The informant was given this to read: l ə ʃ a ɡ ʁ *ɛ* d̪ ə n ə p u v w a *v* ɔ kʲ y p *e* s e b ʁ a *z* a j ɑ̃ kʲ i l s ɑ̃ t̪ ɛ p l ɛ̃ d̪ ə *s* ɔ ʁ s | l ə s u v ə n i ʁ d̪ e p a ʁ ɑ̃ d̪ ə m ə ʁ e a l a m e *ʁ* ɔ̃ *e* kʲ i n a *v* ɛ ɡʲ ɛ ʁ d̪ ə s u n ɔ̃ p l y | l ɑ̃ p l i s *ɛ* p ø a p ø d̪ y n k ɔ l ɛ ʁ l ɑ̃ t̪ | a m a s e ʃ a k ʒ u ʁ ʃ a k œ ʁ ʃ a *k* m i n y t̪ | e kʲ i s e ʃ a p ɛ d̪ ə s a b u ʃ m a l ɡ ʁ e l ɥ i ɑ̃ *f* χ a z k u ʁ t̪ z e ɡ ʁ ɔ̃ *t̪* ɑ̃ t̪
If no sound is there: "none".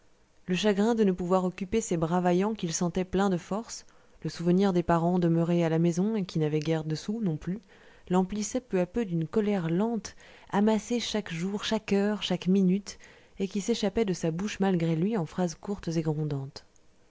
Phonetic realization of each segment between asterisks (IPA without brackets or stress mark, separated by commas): ɛ̃, ʁ, e, v, f, z, e, v, ɛ, k, f, d̪